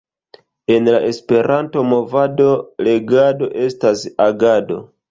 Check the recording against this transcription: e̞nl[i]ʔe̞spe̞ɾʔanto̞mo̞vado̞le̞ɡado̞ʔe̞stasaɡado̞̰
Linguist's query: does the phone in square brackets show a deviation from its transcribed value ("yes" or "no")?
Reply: yes